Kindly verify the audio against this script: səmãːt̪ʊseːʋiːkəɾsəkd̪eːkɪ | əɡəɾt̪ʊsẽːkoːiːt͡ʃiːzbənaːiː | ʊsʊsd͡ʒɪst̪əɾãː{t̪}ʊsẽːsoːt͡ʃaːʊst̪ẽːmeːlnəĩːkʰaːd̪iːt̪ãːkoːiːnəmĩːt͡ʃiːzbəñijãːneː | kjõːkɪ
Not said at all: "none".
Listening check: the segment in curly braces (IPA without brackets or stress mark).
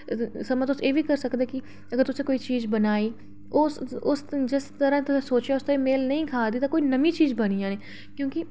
t̪